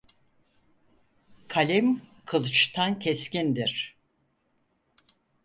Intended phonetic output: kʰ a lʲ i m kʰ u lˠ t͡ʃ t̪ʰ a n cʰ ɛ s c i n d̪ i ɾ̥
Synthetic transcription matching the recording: kʰ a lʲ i m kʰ ɯ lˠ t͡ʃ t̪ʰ a n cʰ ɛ s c i n d̪ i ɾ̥

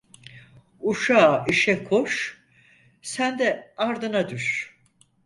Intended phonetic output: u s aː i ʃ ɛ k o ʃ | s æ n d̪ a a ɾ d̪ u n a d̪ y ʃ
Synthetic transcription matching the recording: u ʃ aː i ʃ ɛ kʰ o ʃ | s æ n d̪ ɛ a ɾ d̪ ɯ n a d̪ y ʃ

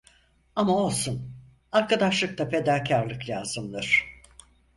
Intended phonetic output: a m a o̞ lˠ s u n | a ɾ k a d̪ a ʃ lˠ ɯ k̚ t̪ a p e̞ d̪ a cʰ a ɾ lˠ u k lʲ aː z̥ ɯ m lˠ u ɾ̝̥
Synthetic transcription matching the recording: a m a o̞ lˠ s u n | a ɾ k a d̪ a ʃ lˠ ɯ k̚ t̪ a p e̞ d̪ a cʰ a ɾ lˠ ɯ k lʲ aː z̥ ɯ m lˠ ɯ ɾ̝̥

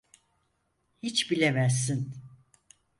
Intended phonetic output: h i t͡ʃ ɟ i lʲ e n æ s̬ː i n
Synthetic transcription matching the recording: h i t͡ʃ b i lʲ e m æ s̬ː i n

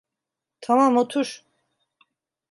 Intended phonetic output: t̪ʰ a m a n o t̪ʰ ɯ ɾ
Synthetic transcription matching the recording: t̪ʰ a m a m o t̪ʰ u ɾ

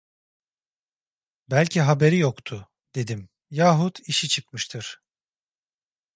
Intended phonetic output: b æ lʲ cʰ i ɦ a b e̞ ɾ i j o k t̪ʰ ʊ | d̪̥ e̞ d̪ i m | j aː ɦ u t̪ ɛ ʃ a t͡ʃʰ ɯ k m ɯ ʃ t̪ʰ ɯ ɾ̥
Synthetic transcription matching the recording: b æ lʲ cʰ i ɦ a b e̞ ɾ i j o k t̪ʰ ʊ | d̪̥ e̞ d̪ i m | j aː ɦ u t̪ i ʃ i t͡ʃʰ ɯ k m ɯ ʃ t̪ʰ ɯ ɾ̥

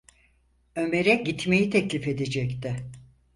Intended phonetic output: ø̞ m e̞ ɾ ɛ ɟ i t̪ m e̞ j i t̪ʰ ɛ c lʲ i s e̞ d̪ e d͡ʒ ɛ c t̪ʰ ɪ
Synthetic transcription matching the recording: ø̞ m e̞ ɾ ɛ ɟ i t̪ m e̞ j i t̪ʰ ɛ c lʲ i f e̞ d̪ e d͡ʒ ɛ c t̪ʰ ɪ

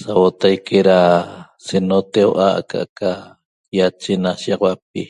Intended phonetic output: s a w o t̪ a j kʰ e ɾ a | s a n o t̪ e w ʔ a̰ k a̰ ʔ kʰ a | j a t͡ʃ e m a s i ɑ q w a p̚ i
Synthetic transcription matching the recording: s a w o t̪ a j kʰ e ɾ a | s e n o t̪ e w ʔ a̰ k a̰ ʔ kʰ a | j a t͡ʃ e n a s i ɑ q w a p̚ i

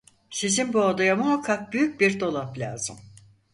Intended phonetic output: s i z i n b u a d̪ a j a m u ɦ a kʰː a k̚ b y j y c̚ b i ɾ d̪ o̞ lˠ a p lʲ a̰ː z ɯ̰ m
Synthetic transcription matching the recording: s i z i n b u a d̪ a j a m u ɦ a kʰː a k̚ b y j y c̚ b i ɾ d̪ o̞ lˠ a p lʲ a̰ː z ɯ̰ m

